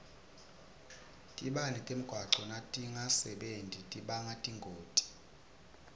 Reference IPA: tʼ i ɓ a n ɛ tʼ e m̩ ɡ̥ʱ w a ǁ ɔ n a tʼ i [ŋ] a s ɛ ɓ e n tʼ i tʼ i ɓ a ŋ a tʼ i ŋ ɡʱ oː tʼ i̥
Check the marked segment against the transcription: correct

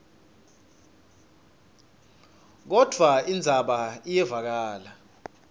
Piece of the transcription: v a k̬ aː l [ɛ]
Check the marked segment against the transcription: incorrect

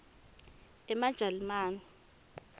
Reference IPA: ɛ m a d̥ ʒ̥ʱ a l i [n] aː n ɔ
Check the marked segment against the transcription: incorrect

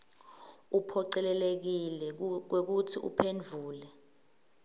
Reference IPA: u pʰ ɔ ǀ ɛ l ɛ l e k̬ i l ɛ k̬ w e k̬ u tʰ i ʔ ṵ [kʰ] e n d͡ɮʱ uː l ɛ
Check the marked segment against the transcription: incorrect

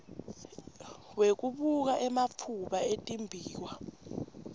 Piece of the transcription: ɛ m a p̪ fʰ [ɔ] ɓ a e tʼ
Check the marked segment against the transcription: incorrect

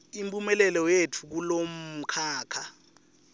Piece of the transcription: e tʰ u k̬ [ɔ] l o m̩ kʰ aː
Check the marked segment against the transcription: incorrect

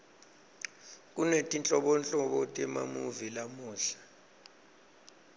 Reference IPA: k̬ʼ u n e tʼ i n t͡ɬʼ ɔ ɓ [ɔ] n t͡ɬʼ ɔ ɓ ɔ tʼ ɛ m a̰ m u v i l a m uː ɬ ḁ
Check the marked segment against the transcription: correct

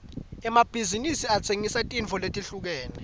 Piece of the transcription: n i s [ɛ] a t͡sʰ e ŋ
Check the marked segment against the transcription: incorrect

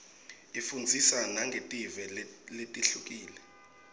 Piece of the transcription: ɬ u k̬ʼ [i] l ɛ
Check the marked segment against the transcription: incorrect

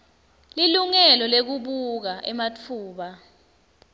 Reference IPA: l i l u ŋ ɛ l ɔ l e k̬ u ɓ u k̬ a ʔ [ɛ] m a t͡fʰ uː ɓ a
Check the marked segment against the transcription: correct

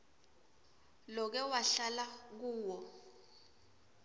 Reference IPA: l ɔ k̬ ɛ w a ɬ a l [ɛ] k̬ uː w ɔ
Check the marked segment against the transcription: incorrect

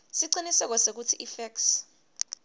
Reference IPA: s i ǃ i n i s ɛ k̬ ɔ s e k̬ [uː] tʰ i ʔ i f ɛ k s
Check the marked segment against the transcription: incorrect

